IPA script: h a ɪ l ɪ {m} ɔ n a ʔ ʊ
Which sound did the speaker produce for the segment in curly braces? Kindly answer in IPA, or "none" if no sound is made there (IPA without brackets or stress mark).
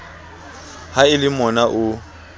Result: m